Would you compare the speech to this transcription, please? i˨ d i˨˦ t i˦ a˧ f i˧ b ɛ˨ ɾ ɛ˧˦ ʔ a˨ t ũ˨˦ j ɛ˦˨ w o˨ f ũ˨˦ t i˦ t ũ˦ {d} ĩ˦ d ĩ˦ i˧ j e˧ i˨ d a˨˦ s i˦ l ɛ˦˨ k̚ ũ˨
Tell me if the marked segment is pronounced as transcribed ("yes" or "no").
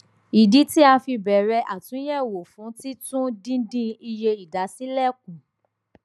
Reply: yes